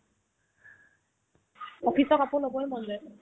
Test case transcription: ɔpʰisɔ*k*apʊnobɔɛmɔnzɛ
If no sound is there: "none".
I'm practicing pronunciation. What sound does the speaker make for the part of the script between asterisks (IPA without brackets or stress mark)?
k